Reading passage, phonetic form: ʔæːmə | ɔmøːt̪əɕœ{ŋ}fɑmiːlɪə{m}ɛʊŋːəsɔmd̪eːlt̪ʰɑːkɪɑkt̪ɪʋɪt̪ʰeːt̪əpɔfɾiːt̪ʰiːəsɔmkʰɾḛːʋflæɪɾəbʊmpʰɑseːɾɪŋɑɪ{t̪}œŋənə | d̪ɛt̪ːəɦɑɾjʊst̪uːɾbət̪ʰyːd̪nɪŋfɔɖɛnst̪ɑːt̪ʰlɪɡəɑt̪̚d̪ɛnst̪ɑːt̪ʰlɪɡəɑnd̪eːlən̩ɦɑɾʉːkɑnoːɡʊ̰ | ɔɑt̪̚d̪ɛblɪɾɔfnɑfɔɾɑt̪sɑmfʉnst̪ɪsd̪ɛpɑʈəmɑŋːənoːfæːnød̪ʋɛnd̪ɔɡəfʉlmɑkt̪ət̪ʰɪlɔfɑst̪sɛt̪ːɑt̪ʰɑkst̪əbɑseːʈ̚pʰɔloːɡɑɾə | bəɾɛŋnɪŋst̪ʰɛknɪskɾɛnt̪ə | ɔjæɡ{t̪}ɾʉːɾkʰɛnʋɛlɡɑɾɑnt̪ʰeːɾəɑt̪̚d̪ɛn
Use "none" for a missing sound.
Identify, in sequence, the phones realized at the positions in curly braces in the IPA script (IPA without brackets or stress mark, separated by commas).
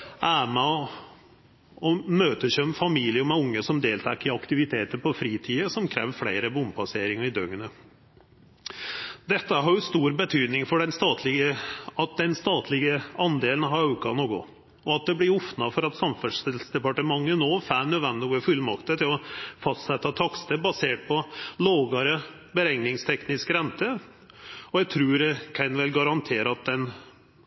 m, m, d̪, t̪ʰ